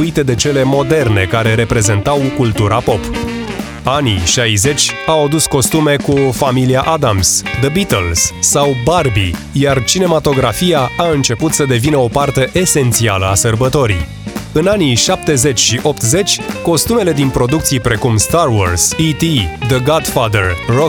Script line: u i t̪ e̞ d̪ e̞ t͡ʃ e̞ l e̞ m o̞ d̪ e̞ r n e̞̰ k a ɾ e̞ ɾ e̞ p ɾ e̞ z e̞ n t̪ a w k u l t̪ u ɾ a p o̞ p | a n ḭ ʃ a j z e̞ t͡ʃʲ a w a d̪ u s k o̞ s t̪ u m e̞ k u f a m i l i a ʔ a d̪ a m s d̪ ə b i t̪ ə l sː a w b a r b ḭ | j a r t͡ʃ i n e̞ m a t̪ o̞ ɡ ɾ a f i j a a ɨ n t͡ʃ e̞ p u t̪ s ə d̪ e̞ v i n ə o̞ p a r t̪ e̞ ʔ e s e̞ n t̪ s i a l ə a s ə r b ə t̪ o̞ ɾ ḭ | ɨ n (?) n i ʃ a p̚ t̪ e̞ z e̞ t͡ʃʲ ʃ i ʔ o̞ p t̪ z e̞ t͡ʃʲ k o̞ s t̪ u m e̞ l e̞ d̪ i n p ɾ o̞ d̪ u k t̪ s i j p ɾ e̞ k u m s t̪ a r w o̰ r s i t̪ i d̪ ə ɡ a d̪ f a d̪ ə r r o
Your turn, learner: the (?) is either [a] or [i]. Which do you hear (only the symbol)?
a